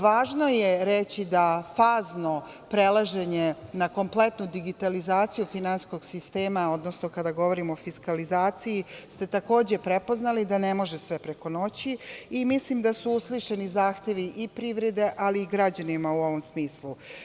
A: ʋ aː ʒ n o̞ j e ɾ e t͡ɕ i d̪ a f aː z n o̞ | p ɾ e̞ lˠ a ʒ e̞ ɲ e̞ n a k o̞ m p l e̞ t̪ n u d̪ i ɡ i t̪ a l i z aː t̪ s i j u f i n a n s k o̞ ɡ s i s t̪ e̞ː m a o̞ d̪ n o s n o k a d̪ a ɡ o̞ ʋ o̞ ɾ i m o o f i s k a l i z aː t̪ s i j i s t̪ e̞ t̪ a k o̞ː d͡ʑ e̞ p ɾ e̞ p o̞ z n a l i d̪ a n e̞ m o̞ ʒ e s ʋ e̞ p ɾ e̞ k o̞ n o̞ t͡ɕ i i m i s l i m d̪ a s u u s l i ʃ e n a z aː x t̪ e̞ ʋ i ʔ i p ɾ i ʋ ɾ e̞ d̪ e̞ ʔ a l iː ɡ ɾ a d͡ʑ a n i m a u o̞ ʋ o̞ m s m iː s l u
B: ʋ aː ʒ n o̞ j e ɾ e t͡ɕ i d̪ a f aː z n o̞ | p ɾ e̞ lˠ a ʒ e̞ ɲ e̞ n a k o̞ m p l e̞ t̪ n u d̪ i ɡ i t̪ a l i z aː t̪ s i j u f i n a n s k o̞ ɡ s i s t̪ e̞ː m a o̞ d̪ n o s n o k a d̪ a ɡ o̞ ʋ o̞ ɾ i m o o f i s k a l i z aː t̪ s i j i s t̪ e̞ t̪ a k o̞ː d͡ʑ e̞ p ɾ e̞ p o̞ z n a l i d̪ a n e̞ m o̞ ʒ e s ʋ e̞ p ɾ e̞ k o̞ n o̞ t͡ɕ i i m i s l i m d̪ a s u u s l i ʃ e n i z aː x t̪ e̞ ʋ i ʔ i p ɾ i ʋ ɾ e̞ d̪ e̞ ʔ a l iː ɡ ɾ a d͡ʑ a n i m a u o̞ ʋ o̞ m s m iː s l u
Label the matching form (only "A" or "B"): B